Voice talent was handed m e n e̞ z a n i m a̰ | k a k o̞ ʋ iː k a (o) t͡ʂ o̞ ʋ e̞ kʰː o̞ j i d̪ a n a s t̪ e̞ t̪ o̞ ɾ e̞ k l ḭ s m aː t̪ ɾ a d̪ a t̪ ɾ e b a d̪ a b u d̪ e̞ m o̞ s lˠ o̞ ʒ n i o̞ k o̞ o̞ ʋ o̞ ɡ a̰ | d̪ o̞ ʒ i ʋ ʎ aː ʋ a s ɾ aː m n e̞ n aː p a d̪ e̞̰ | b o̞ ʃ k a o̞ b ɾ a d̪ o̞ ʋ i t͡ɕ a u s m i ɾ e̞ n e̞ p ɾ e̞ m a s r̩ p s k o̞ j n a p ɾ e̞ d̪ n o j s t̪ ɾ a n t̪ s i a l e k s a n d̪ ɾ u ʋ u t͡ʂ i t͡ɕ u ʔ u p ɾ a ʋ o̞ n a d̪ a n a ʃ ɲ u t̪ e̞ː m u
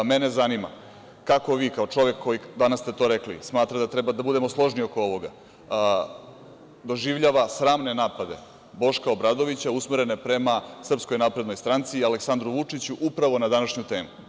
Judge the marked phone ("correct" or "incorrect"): correct